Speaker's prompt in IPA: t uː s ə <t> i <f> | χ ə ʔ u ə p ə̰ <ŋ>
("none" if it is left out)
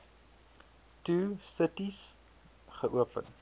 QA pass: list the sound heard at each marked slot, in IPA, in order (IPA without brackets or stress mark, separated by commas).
t, s, n